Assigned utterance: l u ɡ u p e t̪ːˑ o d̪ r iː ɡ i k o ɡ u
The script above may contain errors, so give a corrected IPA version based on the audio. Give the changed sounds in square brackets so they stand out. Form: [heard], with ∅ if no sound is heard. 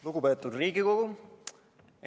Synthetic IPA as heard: l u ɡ u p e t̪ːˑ [u] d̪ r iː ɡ i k o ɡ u